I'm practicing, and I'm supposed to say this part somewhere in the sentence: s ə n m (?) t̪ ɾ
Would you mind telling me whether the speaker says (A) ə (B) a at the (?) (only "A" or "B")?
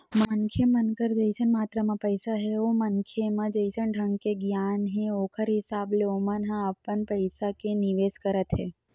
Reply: B